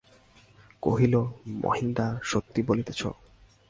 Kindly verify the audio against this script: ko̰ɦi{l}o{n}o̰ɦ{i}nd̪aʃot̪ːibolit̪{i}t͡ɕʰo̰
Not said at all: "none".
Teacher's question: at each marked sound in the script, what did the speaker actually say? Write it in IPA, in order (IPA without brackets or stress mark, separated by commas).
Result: l, m, i, e